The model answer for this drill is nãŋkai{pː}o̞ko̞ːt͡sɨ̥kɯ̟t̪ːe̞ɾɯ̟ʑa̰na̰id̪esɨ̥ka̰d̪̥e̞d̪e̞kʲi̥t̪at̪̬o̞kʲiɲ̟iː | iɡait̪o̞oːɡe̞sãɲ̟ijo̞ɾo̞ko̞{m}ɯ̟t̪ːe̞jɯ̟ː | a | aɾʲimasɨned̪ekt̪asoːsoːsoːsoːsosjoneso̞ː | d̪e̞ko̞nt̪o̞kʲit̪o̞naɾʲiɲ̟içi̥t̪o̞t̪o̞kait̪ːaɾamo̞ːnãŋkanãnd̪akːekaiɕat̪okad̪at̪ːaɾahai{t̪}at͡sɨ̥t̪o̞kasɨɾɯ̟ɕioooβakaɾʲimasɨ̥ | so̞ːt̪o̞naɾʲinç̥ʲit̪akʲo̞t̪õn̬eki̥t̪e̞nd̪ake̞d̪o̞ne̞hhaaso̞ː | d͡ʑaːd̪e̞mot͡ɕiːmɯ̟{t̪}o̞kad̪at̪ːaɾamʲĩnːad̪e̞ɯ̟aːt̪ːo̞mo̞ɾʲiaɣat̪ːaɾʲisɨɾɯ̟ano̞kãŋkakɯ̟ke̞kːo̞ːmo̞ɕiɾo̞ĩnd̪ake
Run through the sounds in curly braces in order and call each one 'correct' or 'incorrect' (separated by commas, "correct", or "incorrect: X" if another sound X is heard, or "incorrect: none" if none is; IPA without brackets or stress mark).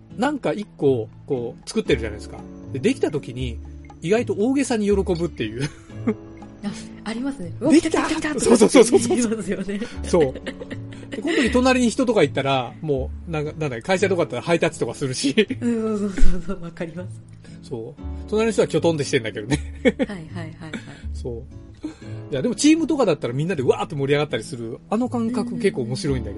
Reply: incorrect: kː, incorrect: b, correct, correct